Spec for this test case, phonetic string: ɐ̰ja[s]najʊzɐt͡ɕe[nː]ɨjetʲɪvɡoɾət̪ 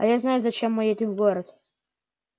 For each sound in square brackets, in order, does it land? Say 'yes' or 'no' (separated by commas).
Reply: no, no